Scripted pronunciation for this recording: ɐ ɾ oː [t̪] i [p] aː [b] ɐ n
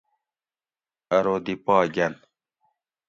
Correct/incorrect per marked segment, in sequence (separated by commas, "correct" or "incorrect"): incorrect, correct, incorrect